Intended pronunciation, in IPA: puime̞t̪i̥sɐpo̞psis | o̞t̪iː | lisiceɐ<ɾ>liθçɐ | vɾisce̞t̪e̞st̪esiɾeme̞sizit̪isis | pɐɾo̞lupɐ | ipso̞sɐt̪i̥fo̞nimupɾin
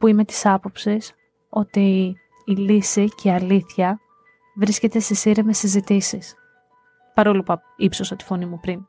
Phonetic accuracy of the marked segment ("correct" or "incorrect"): incorrect